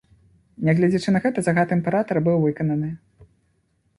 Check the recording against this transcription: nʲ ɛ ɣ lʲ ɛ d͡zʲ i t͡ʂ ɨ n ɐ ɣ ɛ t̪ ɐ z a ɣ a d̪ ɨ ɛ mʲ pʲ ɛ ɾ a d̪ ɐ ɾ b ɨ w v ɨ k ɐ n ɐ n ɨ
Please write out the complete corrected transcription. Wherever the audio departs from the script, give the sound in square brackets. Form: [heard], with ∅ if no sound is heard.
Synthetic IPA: nʲ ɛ ɣ lʲ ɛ d͡zʲ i t͡ʂ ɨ n ɐ ɣ ɛ t̪ ɐ z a ɣ a [t̪] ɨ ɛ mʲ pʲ ɛ ɾ a [t̪] ɐ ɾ b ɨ w v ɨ k ɐ n ɐ n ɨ